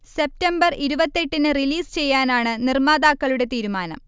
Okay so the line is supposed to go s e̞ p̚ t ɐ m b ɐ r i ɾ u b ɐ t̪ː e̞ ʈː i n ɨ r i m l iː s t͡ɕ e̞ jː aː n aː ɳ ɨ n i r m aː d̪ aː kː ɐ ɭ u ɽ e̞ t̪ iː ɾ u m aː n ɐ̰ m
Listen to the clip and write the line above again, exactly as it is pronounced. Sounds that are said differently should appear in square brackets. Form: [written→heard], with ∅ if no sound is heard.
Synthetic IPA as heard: s e̞ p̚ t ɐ m b ɐ r i ɾ u b ɐ t̪ː e̞ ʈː i n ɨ r i [m→∅] l iː s t͡ɕ e̞ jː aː n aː ɳ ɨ n i r m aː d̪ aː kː ɐ ɭ u ɽ e̞ t̪ iː ɾ u m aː n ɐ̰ m